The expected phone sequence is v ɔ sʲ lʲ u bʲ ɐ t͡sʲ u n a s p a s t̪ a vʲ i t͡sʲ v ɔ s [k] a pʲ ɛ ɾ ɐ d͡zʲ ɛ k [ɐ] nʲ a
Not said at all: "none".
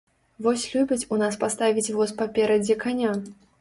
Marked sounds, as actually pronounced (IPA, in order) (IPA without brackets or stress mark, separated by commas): p, a